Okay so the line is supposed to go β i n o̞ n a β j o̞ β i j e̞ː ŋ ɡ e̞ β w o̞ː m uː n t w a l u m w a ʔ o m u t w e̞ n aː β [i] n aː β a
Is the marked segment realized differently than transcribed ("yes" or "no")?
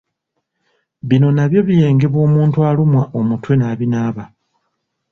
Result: no